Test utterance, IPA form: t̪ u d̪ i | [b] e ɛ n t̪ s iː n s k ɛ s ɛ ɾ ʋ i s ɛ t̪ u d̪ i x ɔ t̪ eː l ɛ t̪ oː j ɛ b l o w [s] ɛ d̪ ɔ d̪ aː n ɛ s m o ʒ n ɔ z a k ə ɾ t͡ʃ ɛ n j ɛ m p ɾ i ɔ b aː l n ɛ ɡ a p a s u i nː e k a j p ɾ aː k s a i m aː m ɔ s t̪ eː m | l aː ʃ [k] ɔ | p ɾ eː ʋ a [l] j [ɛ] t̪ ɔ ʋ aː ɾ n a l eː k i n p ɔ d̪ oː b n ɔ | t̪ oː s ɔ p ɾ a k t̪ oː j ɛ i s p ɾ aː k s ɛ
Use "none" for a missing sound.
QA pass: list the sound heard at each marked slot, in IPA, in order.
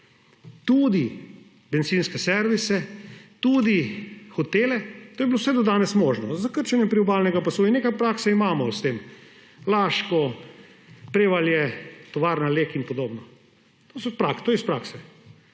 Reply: b, s, k, l, ɛ

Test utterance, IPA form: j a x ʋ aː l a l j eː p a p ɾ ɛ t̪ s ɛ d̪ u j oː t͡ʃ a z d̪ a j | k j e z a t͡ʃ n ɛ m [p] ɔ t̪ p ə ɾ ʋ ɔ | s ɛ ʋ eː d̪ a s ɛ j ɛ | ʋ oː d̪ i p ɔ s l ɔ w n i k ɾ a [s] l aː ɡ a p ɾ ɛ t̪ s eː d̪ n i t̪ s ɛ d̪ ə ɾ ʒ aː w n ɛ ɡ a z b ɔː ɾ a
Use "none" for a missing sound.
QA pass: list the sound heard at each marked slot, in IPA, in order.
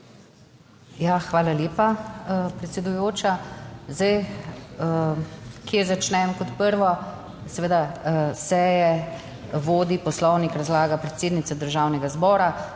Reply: k, z

